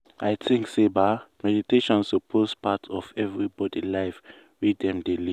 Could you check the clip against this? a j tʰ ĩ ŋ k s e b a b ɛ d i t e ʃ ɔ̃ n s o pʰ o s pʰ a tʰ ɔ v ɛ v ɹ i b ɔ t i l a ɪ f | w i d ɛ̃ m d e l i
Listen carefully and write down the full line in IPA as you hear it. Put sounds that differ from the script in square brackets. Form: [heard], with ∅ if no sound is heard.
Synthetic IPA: a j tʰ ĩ ŋ k s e b a [m] ɛ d i t e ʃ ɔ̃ n s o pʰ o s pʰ a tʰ ɔ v ɛ v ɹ i b ɔ [d] i l a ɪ f | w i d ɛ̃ m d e l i